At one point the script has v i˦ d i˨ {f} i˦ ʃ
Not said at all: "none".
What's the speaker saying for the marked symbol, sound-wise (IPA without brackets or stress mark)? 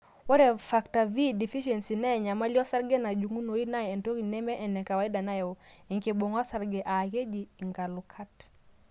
f